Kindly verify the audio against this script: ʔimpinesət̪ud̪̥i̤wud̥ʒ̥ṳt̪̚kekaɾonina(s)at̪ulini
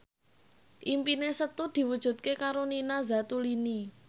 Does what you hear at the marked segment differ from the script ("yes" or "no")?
yes